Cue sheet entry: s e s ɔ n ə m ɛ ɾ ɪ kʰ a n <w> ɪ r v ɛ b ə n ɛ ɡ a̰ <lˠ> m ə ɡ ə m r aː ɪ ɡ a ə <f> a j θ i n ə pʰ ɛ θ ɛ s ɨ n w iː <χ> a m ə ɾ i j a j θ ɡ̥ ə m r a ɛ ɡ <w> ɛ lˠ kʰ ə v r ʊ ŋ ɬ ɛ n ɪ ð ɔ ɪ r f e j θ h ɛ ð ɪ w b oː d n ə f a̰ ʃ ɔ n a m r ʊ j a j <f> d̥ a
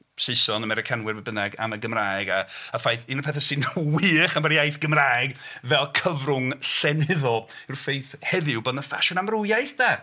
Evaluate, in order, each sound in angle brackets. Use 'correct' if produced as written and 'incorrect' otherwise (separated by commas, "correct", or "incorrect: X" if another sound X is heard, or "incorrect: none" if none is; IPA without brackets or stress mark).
correct, incorrect: none, correct, correct, incorrect: v, incorrect: θ